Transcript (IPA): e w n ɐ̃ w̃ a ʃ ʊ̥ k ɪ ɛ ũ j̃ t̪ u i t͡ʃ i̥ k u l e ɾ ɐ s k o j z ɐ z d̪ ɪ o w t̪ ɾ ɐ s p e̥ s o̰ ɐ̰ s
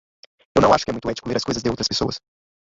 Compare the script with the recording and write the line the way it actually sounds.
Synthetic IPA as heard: e w n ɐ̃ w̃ a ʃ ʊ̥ k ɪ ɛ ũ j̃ t̪ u ɛ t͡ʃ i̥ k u l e ɾ ɐ s k o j z ɐ z d̪ ɪ o w t̪ ɾ ɐ s p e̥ s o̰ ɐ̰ s